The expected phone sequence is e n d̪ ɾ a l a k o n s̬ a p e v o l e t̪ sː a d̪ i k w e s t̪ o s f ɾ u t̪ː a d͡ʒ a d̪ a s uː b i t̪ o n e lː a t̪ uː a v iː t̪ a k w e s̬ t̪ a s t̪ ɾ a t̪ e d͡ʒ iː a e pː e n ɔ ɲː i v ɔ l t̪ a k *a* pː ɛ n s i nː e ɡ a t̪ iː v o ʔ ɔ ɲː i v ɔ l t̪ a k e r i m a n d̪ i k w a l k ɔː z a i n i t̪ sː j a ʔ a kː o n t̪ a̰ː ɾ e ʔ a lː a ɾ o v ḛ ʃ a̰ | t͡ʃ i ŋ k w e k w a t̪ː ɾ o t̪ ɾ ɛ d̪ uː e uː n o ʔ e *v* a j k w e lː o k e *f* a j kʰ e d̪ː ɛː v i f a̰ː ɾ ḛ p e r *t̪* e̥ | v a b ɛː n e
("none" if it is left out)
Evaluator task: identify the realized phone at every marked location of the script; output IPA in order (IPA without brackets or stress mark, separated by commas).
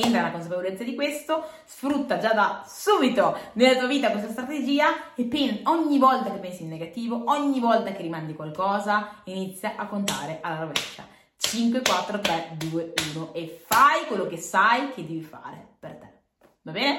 e, f, s, t̪